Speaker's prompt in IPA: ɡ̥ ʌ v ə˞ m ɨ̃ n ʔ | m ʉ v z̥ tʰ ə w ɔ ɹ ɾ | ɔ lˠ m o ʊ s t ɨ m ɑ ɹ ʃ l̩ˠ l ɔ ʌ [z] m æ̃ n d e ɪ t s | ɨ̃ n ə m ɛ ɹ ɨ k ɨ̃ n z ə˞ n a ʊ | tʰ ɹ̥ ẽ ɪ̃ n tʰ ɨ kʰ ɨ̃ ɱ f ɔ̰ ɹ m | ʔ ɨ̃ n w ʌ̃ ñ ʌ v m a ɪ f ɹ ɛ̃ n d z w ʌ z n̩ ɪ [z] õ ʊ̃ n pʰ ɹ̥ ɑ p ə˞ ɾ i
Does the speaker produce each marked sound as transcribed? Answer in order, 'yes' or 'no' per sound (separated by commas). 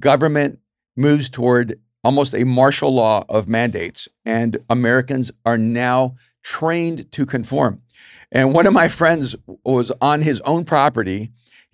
no, yes